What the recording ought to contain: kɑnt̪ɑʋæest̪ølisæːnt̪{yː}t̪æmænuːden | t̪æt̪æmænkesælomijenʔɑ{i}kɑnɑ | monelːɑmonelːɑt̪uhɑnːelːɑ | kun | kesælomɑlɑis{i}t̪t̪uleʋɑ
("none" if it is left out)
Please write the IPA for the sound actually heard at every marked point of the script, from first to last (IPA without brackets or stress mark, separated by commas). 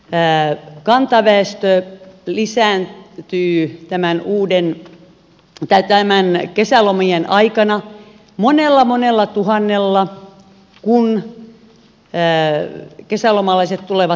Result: yː, i, e